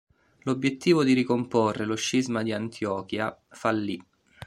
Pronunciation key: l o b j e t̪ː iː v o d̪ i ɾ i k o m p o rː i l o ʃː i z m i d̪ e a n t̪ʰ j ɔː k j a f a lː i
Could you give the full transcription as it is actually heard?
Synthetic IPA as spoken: l o b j e t̪ː iː v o d̪ i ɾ i k o m p o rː e l o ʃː i z m a d̪ i a n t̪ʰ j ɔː k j a f a lː i

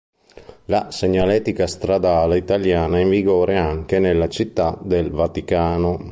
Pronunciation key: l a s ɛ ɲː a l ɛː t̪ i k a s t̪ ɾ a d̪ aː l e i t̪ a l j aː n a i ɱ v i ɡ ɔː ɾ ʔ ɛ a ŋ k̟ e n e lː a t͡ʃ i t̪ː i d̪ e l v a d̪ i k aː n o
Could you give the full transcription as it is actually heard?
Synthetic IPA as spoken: l a s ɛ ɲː a l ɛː t̪ i k a s t̪ ɾ a d̪ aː l e i t̪ a l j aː n a i ɱ v i ɡ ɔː ɾ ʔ e a ŋ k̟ e n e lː a t͡ʃ i t̪ː a d̪ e l v a t̪ i k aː n o

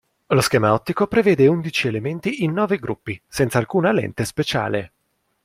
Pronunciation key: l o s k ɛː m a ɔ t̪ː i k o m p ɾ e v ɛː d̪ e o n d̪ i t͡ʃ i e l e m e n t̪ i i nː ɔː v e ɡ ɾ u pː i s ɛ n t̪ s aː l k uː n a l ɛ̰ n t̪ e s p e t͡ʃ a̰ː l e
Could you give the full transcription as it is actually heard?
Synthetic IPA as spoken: l o s k ɛː m a ɔ t̪ː i k o p ɾ e v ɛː d̪ e u n d̪ i t͡ʃ i e l e m e n t̪ i i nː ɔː v e ɡ ɾ u pː i s ɛ n t̪ s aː l k uː n a l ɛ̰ n t̪ e s p e t͡ʃ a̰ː l e

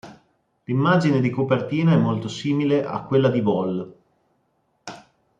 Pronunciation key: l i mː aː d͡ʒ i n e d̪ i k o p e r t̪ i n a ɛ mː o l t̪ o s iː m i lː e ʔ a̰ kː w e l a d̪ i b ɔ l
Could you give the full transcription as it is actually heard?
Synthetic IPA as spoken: l i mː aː d͡ʒ i n e d̪ i k o p e r t̪ iː n a ɛ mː o l t̪ o s iː m i l e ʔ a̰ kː w e lː a d̪ i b ɔ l

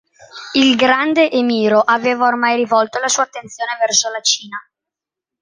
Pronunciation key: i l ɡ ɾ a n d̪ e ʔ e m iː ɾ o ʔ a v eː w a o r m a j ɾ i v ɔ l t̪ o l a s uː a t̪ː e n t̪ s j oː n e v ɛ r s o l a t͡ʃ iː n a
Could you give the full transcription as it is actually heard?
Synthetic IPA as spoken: i l ɡ ɾ a n d̪ e ʔ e m iː ɾ o ʔ a v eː v a o r m a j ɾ i v ɔ l t̪ o l a s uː a t̪ː e n t̪ s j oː n e v ɛ r s o l a t͡ʃ iː n a

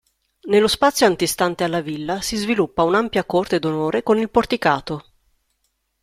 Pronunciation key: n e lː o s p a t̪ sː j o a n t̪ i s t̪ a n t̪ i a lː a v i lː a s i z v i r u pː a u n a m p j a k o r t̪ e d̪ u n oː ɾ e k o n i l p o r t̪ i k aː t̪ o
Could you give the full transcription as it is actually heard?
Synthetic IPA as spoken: n e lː o s p a t̪ sː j o a n t̪ i s t̪ a n t̪ e a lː a v i lː a s i z v i l u pː a u n a m p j a k o r t̪ e d̪ o n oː ɾ e k o n i l p o r t̪ i k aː t̪ o

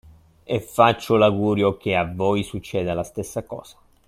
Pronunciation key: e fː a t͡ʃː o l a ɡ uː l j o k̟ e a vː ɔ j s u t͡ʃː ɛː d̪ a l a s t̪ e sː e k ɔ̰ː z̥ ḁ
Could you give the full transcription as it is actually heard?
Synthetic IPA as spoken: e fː a t͡ʃː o l a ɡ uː ɾ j o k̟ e a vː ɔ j s u t͡ʃː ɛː d̪ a l a s t̪ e sː a k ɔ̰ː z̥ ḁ

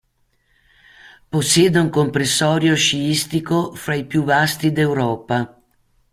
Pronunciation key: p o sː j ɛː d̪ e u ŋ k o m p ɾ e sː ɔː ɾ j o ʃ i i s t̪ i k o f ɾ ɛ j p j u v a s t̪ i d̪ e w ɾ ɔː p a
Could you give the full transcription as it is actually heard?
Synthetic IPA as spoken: p o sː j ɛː d̪ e u ŋ k o m p ɾ e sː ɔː ɾ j o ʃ i i s t̪ i k o f ɾ a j p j u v a s t̪ i d̪ e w ɾ ɔː p a

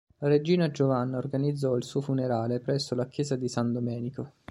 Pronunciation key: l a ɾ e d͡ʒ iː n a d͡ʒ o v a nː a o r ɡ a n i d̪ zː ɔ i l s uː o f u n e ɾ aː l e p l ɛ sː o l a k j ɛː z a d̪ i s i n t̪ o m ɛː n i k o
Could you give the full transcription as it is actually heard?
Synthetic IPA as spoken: l a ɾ e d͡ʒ iː n a d͡ʒ o v a nː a o r ɡ a n i d̪ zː ɔ i l s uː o f u n e ɾ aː l e p ɾ ɛ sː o l a k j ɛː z a d̪ i s a n d̪ o m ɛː n i k o

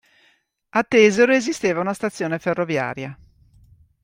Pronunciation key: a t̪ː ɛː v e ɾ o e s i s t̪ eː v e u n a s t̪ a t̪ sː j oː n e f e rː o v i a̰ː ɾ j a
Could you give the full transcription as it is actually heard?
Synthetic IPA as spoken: a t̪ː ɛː z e ɾ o e z i s t̪ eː v a u n a s t̪ a t̪ sː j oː n e f e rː o v j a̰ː ɾ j a

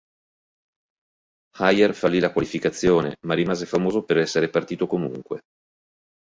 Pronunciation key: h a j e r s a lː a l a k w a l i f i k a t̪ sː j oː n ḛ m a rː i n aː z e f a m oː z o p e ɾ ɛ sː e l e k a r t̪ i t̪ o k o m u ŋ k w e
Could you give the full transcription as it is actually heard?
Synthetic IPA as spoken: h a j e r f a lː i l a k w a l i f i k a t̪ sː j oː n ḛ m a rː i m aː z e f a m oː z o p e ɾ ɛ sː e ɾ e p a r t̪ iː t̪ o k o m u ŋ k w e

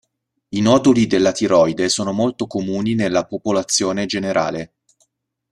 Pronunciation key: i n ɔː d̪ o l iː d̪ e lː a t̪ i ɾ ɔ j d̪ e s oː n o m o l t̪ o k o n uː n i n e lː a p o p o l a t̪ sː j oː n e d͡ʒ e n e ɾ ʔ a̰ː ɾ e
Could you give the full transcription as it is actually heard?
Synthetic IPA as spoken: i n ɔː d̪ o l i d̪ e lː a t̪ i ɾ ɔ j d̪ e s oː n o m o l t̪ o k o m uː n i n e lː a p o p o l a t̪ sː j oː n e d͡ʒ e n e ɾ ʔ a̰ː l e

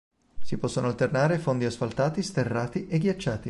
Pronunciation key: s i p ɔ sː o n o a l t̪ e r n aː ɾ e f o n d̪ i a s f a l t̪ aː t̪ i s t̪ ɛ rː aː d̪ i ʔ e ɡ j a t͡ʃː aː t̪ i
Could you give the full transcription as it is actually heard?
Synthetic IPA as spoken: s i p ɔ sː o n o a l t̪ e r n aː ɾ e f o n d̪ i a s f a l t̪ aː t̪ i s t̪ e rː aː t̪ i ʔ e ɡ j a t͡ʃː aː t̪ i

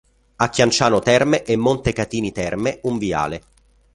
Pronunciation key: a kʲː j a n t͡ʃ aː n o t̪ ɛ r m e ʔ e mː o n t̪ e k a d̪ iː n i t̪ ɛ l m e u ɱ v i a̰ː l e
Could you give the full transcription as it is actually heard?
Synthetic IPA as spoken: a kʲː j a n t͡ʃ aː n o t̪ ɛ r m e ʔ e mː o n t̪ e k a t̪ iː n i t̪ ɛ r m e u ɱ v i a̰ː l e

